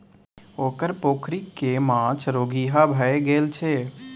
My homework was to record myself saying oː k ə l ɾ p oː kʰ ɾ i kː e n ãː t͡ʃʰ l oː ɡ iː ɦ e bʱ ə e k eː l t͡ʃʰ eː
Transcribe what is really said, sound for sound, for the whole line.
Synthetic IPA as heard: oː k ə ɾ p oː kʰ ɾ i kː e m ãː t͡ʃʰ ɾ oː ɡ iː ɦ a bʱ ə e ɡ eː l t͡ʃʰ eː